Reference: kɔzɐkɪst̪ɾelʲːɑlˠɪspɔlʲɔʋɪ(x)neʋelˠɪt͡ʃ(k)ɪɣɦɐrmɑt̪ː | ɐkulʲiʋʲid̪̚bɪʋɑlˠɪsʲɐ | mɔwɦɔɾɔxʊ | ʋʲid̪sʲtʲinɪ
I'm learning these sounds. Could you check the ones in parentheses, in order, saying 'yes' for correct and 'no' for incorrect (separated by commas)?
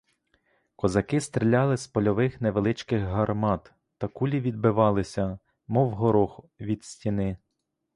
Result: yes, yes